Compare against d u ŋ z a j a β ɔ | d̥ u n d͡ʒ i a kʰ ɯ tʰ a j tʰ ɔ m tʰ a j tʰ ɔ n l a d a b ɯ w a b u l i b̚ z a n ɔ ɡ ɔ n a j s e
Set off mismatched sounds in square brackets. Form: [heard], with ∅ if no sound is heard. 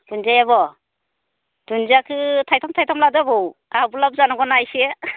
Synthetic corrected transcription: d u [n] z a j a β ɔ | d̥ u n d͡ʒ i a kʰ ɯ tʰ a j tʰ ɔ m tʰ a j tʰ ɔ [m] l a d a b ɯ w a b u l [a] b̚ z a n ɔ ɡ ɔ n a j s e